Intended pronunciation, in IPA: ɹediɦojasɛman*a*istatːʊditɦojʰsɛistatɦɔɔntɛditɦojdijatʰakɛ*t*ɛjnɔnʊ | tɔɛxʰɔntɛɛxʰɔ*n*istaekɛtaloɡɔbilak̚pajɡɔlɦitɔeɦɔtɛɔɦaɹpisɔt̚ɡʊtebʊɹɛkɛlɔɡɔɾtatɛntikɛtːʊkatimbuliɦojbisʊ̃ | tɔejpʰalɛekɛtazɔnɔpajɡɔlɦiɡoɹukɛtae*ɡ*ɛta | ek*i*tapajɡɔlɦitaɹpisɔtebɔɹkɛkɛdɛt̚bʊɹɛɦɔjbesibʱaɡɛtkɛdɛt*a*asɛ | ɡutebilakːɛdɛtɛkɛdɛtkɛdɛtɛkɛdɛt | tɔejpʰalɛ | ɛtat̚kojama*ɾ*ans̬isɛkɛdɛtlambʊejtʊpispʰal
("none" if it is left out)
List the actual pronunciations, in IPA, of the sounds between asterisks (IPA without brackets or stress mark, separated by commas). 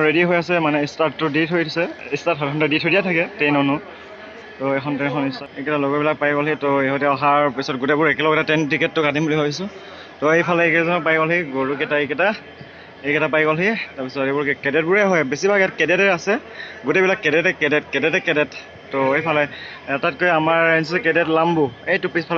ɛ, t, n, k, ɛ, ɛ, ɹ